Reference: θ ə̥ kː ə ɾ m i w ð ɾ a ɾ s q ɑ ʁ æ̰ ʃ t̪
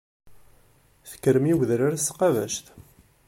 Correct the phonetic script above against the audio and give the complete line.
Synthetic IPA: θ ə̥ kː ə ɾ m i w ð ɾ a ɾ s q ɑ v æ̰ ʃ t̪

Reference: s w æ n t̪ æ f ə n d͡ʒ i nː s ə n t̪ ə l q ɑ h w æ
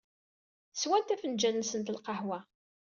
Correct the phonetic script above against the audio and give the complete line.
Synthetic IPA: s w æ n t̪ æ f ə n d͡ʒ æ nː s ə n t̪ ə l q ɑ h w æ

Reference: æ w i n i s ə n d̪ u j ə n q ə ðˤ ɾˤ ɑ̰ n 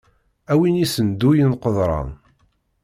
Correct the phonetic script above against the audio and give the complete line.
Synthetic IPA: æ w i n i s ə n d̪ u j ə n q ə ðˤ ɾˤ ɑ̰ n

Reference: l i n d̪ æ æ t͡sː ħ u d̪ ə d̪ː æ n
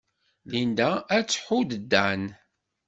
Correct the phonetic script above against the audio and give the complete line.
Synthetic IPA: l i n d̪ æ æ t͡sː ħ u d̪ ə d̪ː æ n

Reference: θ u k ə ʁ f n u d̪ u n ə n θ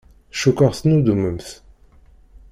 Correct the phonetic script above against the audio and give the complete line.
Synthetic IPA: ʃ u k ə ʁ θ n u d̪ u m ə m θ

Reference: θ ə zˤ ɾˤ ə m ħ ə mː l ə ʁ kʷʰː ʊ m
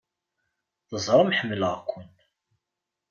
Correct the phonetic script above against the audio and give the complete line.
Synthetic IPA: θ ə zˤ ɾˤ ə m ħ ə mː l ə ʁ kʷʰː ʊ n

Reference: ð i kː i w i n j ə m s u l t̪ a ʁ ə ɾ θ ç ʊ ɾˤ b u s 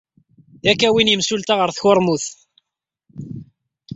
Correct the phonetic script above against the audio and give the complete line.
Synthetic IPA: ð æ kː æ w i n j ə m s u l t̪ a ʁ ə ɾ θ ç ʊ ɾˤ m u θ

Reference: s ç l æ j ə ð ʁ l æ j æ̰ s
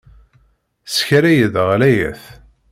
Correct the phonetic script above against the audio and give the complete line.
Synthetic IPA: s ç ɾ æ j ə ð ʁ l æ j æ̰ θ

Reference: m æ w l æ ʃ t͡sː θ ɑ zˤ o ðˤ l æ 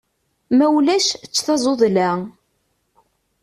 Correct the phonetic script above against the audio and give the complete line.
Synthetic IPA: m æ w l æ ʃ t͡sː θ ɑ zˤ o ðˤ l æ

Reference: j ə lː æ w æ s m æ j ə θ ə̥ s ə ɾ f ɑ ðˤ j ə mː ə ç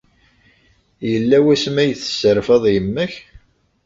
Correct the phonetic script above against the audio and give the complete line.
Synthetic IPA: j ə lː æ w æ s m æ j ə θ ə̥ s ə ɾ f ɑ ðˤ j ə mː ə ç

